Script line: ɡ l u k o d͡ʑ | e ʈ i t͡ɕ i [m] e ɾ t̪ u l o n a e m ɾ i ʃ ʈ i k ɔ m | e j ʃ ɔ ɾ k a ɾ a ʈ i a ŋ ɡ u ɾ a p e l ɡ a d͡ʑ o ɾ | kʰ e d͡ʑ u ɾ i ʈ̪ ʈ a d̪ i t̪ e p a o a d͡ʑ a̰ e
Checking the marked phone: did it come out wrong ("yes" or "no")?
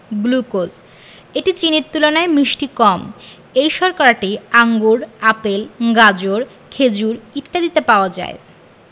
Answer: yes